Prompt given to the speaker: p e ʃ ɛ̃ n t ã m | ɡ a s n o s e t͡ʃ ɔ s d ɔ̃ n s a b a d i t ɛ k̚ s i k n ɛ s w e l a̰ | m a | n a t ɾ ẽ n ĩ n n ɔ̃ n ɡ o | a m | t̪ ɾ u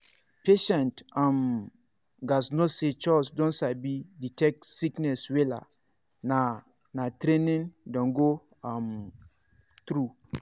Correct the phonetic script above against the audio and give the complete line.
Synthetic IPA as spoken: p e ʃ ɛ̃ n t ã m | ɡ a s n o s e t͡ʃ ɔ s d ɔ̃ n s a b i d i t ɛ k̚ s i k n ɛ s w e l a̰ | n a | n a t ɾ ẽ n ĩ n d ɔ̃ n ɡ o | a m | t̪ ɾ u